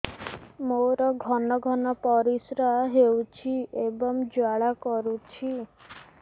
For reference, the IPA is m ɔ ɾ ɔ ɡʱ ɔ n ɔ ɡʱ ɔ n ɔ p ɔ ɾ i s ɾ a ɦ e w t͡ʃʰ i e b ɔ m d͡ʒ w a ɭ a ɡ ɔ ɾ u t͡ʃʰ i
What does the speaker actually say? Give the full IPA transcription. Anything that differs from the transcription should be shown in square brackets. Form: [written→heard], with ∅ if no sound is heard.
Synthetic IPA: m [ɔ→o] ɾ ɔ ɡʱ ɔ n ɔ ɡʱ ɔ n ɔ p ɔ ɾ i s ɾ a ɦ e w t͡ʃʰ i e b ɔ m d͡ʒ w a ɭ a [ɡ→k] ɔ ɾ u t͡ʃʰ i